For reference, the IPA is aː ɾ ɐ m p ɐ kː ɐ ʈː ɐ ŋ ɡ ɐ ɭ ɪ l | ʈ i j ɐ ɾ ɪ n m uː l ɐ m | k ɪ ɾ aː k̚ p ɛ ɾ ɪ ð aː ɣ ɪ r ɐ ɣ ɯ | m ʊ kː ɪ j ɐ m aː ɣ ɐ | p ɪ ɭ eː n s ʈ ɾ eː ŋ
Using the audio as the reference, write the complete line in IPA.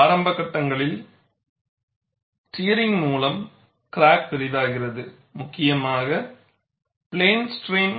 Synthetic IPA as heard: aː ɾ ɐ m b ɐ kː ɐ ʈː ɐ ŋ ɡ ɐ ɭ ɪ l | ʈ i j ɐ ɾ ɪ ŋ m uː l ɐ m | k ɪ ɾ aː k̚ p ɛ ɾ ɪ ð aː ɣ ɪ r ɐ ð ɯ | m ʊ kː ɪ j ɐ m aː ɣ ɐ | p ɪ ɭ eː n s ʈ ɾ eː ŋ